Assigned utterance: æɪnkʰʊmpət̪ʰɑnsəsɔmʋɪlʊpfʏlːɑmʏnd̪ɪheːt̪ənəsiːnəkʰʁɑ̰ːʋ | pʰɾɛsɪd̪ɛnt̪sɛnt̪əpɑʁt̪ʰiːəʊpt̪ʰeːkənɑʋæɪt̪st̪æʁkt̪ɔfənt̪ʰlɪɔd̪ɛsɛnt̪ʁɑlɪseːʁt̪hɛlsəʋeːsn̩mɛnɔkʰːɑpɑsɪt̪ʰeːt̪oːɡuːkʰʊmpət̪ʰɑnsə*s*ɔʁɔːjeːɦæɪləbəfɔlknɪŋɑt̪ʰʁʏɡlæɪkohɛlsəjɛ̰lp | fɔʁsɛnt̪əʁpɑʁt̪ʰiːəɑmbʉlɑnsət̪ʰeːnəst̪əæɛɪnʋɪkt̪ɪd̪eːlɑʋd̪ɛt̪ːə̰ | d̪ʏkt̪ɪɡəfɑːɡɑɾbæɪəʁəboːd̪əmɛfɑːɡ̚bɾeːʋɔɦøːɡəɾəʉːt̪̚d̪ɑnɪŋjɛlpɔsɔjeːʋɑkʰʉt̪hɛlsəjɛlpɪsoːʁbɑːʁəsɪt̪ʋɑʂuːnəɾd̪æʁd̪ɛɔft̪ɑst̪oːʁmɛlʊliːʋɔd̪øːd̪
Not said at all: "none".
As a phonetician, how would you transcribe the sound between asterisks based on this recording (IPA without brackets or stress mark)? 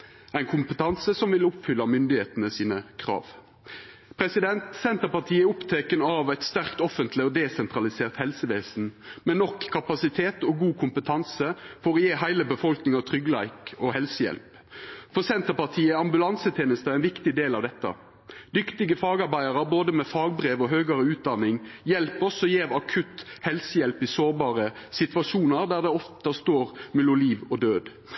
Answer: f